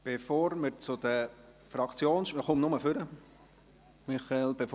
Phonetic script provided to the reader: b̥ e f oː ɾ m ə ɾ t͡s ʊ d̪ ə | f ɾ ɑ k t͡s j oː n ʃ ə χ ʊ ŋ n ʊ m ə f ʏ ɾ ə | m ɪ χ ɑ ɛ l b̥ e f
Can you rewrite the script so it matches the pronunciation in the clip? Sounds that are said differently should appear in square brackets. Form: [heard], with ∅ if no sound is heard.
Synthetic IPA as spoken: b̥ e f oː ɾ m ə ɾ t͡s ʊ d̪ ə | f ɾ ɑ k t͡s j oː n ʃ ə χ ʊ [m] n ʊ m ə f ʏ ɾ ə | m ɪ χ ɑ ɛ l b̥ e f